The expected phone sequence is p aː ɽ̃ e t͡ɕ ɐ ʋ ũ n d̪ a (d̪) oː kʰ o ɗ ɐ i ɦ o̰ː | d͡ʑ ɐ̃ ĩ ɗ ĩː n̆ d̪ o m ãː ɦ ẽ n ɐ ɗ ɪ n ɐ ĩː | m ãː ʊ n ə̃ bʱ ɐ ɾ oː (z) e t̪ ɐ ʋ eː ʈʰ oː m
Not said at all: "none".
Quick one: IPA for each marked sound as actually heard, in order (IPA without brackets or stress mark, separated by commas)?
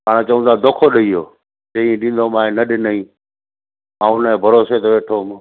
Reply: d̪, s